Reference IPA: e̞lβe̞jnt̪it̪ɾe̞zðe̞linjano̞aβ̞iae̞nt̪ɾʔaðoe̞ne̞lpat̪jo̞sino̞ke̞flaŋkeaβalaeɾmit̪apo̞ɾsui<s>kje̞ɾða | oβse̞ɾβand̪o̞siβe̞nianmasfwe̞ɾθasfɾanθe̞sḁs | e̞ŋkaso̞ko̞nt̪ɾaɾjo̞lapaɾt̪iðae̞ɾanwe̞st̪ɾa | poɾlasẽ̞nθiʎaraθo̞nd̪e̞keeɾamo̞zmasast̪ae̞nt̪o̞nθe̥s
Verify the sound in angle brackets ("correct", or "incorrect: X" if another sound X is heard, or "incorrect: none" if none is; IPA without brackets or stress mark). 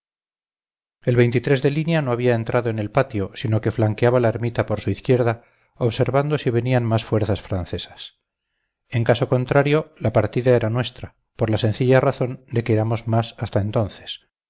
incorrect: θ